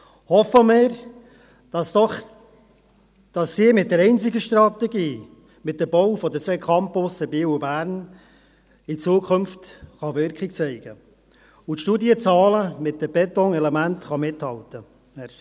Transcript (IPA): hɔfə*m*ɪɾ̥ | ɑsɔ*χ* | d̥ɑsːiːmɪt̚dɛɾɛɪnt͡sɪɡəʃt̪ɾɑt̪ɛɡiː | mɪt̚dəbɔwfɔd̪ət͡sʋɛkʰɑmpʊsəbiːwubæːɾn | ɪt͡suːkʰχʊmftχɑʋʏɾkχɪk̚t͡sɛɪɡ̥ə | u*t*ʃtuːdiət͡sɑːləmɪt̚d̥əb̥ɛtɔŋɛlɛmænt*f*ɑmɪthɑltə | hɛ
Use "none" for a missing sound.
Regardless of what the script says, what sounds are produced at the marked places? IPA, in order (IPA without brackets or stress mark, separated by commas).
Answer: m, χ, t, χ